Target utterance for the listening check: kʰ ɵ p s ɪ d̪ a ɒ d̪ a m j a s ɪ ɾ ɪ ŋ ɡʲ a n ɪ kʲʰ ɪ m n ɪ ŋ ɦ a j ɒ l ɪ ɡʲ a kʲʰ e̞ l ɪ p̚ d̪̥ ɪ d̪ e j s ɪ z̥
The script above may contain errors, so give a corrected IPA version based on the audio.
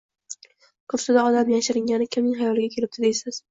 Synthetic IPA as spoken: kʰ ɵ p s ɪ d̪ a ɒ d̪ a m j a ʃ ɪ ɾ ɪ ŋ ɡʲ a n ɪ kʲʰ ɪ m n ɪ ŋ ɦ a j ɒ l ɪ ɡʲ a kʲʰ e̞ l ɪ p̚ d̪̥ ɪ d̪ e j s ɪ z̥